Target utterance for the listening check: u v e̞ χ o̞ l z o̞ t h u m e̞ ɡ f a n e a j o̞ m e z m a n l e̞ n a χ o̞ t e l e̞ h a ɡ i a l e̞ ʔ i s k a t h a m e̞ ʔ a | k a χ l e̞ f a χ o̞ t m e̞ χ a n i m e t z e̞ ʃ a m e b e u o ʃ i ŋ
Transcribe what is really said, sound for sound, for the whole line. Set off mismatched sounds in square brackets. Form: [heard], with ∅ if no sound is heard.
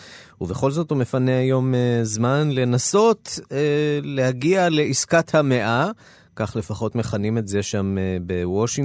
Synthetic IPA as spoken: u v e̞ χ o̞ l z o̞ t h u m e̞ [∅] f a n e a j o̞ m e z m a n l e̞ n a [s] o̞ t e l e̞ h a ɡ i a l e̞ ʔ i s k a t h a m e̞ ʔ a | k a χ l e̞ f a χ o̞ t m e̞ χ a n i m e t z e̞ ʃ a m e b e [w] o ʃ i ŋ